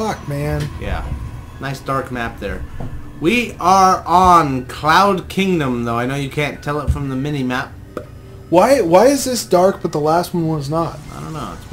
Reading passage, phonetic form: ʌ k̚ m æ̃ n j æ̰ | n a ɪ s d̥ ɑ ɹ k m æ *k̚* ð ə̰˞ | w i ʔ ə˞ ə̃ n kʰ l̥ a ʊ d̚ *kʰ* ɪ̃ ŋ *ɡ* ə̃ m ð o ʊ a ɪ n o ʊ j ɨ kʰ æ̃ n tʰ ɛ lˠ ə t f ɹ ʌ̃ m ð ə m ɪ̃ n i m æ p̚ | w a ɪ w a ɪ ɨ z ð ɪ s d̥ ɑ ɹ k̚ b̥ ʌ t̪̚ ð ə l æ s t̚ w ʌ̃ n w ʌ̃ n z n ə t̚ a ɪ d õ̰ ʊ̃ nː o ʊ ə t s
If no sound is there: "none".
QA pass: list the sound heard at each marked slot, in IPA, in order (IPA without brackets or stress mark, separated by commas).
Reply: p̚, kʰ, d